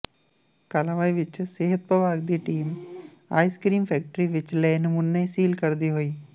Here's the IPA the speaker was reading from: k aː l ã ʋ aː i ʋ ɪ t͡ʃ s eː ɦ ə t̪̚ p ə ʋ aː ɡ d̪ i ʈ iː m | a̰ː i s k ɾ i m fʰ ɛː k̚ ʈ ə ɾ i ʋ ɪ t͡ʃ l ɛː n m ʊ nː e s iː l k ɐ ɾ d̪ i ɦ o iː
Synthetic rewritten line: k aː l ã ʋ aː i ʋ ɪ t͡ʃ s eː ɦ ə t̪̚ p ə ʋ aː ɡ d̪ i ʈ iː m | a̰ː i s k ɾ iː m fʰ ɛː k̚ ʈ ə ɾ i ʋ ɪ t͡ʃ l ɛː n m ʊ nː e s iː l k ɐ ɾ d̪ i ɦ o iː